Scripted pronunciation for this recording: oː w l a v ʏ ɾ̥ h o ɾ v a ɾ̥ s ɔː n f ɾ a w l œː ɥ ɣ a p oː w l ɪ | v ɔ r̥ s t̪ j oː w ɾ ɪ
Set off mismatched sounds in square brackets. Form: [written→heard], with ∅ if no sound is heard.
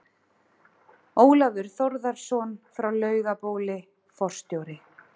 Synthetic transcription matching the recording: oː w l a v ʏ ɾ̥ [h→θ] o ɾ [v→ð] a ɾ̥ s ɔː n f ɾ a w l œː ɥ ɣ a p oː w l ɪ | [v→f] ɔ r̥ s t̪ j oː w ɾ ɪ